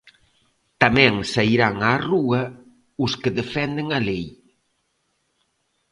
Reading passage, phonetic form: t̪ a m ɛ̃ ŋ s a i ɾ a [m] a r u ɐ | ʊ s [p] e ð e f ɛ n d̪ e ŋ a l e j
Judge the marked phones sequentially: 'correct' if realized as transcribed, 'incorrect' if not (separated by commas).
incorrect, incorrect